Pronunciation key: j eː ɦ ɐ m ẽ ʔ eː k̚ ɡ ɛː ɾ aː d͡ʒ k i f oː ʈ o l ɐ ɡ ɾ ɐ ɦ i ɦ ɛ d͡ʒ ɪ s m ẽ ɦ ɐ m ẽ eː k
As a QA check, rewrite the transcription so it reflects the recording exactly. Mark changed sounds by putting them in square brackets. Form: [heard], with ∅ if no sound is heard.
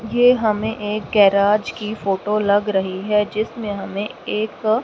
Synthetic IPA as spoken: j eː ɦ ɐ m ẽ ʔ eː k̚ ɡ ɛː ɾ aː d͡ʒ k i f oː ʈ o l ɐ ɡ ɾ ɐ ɦ i ɦ ɛ d͡ʒ ɪ s m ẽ ɦ ɐ m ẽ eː k